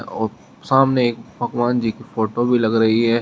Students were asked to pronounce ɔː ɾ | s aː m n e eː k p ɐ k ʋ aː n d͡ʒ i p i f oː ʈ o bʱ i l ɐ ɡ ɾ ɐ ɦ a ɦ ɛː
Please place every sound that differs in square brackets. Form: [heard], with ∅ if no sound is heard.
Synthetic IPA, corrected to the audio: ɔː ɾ | s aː m n e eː k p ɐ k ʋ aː n d͡ʒ i [k] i f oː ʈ o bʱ i l ɐ ɡ ɾ ɐ ɦ [i] ɦ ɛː